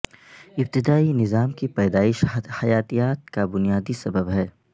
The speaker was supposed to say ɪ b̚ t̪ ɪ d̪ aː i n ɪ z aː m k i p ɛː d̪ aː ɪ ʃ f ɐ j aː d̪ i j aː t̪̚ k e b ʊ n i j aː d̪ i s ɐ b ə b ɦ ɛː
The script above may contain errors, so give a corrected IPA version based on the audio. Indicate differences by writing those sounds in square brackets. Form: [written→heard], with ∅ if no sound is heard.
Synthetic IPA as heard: ɪ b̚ t̪ ɪ d̪ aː i n ɪ z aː m k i p ɛː d̪ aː ɪ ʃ [f→h] ɐ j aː [d̪→t̪] i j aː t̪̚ k [e→a] b ʊ n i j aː d̪ i s ɐ b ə b ɦ ɛː